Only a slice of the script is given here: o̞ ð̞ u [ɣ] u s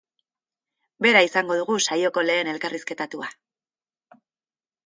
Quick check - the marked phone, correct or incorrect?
correct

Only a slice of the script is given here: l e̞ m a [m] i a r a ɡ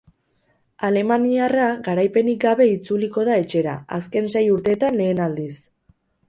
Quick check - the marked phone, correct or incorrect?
incorrect: n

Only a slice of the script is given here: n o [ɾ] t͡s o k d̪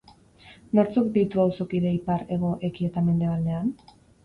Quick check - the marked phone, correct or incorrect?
correct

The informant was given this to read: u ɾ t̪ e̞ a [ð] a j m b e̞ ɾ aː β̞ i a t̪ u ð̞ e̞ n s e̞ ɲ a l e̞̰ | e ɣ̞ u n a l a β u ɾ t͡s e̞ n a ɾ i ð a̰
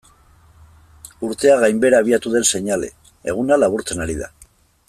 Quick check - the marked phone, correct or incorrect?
incorrect: ɣ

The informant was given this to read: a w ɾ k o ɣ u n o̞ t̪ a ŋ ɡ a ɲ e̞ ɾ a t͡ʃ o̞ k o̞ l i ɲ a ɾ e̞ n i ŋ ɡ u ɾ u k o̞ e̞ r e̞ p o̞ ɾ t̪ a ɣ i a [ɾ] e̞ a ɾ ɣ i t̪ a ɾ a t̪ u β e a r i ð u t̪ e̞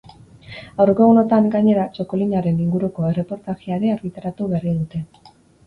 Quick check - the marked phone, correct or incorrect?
correct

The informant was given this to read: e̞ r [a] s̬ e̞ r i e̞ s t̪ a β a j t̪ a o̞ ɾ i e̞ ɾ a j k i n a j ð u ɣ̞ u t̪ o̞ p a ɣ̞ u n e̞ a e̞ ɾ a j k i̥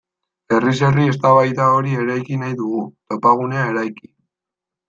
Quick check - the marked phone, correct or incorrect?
incorrect: i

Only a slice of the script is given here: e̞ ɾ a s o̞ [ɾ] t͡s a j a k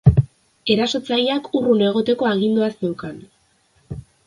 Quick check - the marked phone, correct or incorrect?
incorrect: none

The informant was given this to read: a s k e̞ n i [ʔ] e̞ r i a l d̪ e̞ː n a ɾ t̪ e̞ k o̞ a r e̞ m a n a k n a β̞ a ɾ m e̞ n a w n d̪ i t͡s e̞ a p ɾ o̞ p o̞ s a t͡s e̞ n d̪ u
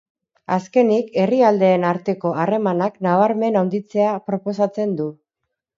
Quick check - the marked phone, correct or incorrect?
incorrect: k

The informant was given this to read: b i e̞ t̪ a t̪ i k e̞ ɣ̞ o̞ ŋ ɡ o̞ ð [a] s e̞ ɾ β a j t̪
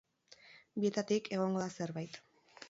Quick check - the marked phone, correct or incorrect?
correct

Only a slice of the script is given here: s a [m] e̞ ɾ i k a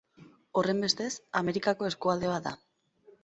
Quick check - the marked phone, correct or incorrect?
correct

